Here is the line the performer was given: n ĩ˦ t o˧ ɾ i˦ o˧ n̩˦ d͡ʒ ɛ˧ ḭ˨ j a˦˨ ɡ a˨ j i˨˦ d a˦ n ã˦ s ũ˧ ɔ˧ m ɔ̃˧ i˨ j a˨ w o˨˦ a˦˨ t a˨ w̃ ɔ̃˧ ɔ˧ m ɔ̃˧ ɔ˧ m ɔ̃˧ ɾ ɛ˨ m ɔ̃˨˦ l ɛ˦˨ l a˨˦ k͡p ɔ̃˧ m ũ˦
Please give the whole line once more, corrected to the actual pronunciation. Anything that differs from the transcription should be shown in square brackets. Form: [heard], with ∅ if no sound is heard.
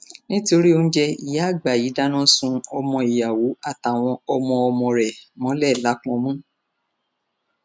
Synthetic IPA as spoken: n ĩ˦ t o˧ ɾ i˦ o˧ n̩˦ d͡ʒ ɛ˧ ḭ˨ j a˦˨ [ɡ͡b] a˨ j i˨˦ d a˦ n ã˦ s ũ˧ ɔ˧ m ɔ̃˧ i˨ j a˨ w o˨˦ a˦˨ t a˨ w̃ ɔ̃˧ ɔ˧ m ɔ̃˧ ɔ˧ m ɔ̃˧ ɾ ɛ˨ m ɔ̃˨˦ l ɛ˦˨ l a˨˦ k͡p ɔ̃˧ m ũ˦

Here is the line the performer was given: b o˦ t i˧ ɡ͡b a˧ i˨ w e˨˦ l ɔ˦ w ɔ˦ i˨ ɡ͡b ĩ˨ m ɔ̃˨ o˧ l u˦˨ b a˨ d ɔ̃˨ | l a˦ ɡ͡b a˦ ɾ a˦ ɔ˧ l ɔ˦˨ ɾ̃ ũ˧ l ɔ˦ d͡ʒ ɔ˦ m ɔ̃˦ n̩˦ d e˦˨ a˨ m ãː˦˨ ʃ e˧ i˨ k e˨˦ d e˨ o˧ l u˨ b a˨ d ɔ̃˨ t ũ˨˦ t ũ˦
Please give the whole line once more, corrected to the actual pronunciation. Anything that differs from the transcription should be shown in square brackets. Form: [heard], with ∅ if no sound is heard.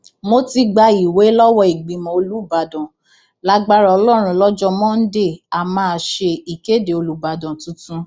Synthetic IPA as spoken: [m] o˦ t i˧ ɡ͡b a˧ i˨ w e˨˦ l ɔ˦ w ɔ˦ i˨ ɡ͡b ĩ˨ m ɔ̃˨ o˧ l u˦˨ b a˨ d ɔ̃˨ | l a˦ ɡ͡b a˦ ɾ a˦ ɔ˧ l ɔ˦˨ ɾ̃ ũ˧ l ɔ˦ d͡ʒ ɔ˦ m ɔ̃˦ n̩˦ d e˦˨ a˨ m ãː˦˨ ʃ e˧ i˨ k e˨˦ d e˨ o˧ l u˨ b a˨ d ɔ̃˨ t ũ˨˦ t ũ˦

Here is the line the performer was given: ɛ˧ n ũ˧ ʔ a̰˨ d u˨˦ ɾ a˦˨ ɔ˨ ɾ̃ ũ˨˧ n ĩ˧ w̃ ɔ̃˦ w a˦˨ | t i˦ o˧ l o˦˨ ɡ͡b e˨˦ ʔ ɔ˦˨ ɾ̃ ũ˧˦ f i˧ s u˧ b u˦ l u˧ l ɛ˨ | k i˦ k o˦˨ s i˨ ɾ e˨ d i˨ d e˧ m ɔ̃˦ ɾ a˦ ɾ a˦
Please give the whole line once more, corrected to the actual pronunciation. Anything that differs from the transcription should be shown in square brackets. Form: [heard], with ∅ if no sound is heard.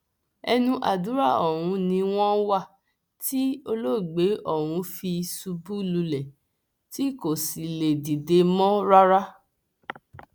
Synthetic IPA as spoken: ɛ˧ n ũ˧ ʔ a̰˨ d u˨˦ ɾ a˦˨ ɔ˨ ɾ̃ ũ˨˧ n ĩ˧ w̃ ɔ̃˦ w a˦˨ | t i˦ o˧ l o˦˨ ɡ͡b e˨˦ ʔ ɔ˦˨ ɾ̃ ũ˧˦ f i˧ s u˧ b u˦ l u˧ l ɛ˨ | [t] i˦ k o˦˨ s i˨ [l] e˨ d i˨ d e˧ m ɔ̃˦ ɾ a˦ ɾ a˦

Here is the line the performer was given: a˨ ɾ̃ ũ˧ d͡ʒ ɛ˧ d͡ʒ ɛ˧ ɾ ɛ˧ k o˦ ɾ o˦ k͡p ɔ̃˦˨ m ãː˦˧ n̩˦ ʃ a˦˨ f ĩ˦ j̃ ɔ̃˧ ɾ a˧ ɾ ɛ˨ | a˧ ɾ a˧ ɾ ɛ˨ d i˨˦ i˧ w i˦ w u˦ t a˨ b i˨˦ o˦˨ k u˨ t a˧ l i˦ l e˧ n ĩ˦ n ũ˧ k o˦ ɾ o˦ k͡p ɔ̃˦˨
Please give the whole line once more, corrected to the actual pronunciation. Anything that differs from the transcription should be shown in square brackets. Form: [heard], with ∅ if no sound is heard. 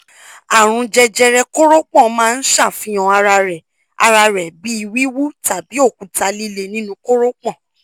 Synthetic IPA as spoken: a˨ ɾ̃ ũ˧ d͡ʒ ɛ˧ d͡ʒ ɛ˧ ɾ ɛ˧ k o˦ ɾ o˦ k͡p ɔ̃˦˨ m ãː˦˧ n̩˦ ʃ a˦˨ f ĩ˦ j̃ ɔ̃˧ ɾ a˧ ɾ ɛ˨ | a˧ ɾ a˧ ɾ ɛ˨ [b] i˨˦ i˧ w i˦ w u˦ t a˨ b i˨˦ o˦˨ k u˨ t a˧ l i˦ l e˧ n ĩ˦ n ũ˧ k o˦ ɾ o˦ k͡p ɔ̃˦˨

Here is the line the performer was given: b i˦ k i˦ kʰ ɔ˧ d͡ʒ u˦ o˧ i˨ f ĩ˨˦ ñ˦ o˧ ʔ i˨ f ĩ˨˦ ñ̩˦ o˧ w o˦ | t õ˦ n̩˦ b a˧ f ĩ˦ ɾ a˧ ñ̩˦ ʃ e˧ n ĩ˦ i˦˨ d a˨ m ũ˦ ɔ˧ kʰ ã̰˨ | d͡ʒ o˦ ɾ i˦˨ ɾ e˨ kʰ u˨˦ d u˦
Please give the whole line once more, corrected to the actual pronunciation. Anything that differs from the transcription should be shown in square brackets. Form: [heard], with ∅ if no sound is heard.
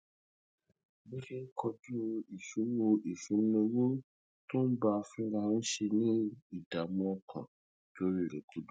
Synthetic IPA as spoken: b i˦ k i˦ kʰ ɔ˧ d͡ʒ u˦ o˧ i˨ f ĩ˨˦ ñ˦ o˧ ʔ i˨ f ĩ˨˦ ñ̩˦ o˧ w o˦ | t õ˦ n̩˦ b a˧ f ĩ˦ ɾ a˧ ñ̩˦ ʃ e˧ n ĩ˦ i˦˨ d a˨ m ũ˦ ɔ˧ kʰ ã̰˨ | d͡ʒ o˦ ɾ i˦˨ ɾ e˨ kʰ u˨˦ d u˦

